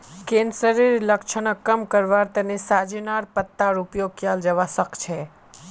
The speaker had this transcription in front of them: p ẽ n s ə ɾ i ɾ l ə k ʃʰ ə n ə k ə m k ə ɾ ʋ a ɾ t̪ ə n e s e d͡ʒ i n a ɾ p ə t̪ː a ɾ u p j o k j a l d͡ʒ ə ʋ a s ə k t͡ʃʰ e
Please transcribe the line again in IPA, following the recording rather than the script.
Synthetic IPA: k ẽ n s ə ɾ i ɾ l ə k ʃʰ ə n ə k ə m k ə ɾ ʋ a ɾ t̪ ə n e s a d͡ʒ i n a ɾ p ə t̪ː a ɾ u p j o k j a l d͡ʒ ə ʋ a s ə k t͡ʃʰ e